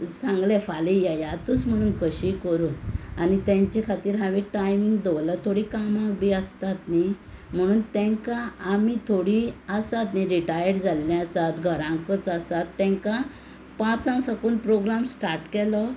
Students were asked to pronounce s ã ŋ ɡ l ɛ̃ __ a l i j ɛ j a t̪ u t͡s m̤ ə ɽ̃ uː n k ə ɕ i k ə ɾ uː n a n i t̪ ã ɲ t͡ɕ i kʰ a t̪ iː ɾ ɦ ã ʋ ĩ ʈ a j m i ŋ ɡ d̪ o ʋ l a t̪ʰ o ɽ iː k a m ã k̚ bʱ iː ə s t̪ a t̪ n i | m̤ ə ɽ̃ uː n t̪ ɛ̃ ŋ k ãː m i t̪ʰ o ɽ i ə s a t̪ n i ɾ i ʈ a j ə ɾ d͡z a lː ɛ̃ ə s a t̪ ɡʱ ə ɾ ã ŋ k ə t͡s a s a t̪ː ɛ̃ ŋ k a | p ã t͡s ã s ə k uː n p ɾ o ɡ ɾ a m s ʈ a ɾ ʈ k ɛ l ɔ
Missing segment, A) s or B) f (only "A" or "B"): B